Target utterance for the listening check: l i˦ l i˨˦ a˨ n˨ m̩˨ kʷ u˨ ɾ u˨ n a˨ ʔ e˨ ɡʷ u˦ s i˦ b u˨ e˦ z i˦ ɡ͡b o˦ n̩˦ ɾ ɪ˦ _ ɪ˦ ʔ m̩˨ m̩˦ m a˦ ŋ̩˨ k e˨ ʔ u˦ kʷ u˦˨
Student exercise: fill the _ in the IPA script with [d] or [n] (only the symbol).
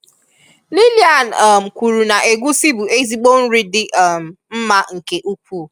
d